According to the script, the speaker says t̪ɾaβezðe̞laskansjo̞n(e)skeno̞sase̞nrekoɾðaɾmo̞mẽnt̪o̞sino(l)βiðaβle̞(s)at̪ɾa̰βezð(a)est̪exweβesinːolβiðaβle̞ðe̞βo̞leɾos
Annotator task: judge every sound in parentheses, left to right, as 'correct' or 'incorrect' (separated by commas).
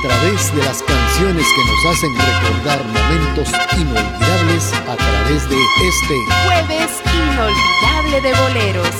correct, correct, correct, incorrect